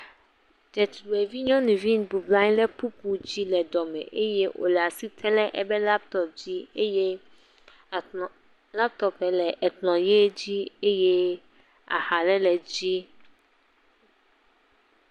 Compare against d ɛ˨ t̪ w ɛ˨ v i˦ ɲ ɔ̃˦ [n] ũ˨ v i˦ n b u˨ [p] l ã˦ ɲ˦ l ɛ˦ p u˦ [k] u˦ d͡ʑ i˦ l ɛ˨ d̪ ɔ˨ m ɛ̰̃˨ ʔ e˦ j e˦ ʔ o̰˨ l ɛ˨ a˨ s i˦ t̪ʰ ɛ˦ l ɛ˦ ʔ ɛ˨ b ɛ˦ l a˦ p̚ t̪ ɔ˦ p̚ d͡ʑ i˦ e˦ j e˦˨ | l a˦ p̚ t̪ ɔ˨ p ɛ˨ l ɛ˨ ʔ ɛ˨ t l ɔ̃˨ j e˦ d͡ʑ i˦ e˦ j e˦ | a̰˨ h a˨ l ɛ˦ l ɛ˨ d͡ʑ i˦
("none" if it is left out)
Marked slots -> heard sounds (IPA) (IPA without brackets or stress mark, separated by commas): n, b, p